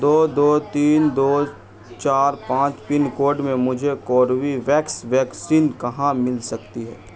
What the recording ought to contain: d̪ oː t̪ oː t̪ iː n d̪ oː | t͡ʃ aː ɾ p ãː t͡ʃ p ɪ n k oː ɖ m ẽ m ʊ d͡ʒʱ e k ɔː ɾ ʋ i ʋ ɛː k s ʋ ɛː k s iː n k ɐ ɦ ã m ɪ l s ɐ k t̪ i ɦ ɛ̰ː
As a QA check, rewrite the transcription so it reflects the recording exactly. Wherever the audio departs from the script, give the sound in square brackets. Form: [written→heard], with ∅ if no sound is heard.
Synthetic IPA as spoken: d̪ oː [t̪→d̪] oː t̪ iː n d̪ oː | t͡ʃ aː ɾ p ãː t͡ʃ p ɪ n k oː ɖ m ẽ m ʊ d͡ʒʱ e k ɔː ɾ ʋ i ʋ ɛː k s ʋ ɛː k s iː n k ɐ ɦ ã m ɪ l s ɐ k t̪ i ɦ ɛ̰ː